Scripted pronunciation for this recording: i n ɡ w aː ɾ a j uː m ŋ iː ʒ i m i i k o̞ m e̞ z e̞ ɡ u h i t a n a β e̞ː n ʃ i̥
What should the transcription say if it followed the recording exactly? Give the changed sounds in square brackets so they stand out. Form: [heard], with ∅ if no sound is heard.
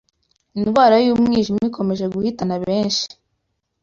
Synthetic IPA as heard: i n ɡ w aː ɾ a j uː m ŋ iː ʒ i m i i k o̞ m e̞ [ʒ] e̞ ɡ u h i t a n a β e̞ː n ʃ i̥